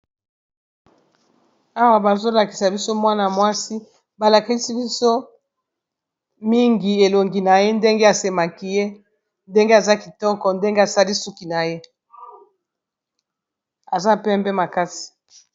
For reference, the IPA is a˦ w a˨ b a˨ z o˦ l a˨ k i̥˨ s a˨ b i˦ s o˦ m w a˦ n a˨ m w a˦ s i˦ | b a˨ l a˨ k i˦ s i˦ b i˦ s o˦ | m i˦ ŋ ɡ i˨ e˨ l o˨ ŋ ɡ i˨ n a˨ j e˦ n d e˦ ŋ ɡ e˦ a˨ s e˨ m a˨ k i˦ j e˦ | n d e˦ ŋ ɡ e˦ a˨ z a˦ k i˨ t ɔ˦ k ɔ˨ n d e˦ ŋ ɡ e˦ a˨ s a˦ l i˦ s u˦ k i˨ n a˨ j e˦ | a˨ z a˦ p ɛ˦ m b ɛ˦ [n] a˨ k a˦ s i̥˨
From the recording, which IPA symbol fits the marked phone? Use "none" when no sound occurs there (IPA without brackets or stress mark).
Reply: m